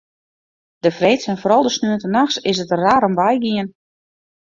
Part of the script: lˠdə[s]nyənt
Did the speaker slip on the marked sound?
no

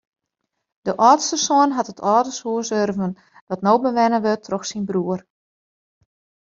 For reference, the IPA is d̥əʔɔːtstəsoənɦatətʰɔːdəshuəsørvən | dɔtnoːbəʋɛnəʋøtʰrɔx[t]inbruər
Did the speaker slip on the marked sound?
yes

